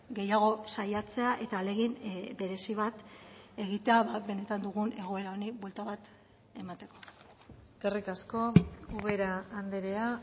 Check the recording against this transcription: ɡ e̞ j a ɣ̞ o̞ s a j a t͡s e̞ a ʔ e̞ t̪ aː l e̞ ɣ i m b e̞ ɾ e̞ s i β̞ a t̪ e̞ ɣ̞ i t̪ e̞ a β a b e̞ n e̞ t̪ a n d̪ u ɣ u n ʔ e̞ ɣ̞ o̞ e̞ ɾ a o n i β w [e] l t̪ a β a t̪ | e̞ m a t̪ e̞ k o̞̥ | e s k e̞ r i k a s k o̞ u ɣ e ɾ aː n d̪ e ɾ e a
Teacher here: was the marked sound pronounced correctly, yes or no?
yes